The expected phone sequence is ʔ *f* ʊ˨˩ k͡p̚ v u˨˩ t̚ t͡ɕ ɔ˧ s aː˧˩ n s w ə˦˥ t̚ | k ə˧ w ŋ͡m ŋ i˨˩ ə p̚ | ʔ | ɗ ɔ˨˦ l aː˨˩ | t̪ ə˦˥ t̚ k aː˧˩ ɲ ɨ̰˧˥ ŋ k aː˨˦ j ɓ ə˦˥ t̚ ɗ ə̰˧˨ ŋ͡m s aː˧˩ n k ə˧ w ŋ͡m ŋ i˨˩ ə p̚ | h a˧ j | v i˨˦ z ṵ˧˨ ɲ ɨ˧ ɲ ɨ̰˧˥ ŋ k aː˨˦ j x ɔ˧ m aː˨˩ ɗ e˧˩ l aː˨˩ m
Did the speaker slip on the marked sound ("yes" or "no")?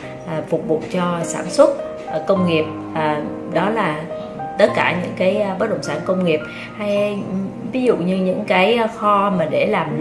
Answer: no